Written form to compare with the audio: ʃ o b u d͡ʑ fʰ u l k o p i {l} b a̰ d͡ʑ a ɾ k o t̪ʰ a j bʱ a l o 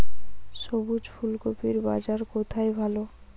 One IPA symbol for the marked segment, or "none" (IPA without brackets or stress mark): ɾ